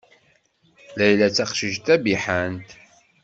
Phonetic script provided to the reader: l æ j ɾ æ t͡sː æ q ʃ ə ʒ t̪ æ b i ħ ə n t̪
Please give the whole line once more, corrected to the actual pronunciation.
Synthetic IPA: l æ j l æ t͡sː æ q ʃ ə ʒ t̪ æ b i ħ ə n t̪